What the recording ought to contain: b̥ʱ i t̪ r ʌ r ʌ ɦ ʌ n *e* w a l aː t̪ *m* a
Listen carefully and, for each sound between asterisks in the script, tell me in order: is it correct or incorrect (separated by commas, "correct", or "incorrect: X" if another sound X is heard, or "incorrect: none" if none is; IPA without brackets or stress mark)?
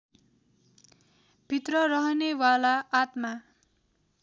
correct, correct